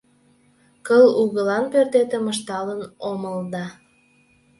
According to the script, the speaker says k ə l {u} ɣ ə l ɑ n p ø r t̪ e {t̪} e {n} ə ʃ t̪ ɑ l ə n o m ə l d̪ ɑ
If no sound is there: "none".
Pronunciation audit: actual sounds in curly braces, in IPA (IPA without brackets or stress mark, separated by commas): u, t̪, m